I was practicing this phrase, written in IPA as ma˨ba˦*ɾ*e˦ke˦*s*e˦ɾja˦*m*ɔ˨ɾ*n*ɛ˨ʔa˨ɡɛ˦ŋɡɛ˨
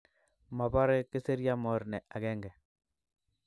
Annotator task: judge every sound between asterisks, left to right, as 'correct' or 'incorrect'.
correct, correct, correct, correct

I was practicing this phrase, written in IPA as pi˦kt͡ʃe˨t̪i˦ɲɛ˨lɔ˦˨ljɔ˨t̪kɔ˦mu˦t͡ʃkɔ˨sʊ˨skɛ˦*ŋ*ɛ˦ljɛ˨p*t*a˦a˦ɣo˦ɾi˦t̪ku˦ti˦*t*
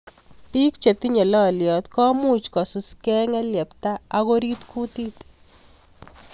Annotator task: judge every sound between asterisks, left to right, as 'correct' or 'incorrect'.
correct, correct, correct

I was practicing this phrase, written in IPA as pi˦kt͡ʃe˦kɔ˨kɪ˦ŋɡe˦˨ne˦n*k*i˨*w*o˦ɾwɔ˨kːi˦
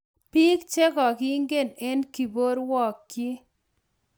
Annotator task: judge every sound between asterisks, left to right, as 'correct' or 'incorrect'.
correct, incorrect

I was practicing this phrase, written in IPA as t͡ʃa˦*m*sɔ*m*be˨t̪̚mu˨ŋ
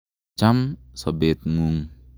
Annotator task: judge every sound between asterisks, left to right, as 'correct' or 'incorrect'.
correct, incorrect

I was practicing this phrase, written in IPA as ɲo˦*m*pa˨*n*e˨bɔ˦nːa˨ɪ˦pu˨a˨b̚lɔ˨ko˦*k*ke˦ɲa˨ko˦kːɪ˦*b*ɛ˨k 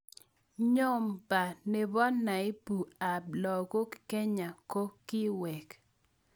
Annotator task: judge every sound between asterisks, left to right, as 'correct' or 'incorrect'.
correct, correct, correct, incorrect

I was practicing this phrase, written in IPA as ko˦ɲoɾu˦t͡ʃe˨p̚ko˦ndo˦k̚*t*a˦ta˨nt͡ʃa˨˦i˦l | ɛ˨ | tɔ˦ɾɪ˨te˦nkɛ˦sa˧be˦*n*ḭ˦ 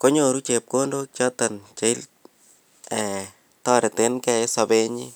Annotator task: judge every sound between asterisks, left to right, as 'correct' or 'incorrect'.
incorrect, incorrect

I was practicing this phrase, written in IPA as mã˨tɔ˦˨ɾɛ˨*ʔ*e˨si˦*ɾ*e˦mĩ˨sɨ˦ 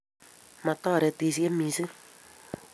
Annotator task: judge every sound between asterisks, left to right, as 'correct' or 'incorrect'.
incorrect, incorrect

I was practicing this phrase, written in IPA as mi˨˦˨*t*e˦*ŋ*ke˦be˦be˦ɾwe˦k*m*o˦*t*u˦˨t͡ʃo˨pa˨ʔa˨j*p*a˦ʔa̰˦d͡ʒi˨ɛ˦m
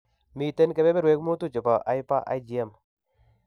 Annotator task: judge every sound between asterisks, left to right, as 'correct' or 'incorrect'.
correct, incorrect, correct, correct, correct

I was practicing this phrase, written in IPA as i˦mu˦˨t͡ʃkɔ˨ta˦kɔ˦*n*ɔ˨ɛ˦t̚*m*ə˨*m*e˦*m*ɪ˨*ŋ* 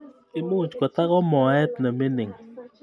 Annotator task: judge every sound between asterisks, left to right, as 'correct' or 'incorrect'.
incorrect, incorrect, correct, incorrect, correct

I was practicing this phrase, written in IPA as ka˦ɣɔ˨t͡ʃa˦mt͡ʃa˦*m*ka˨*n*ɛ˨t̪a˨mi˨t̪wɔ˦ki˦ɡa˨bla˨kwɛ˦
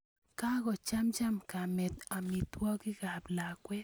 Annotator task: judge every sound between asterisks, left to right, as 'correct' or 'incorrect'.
correct, incorrect

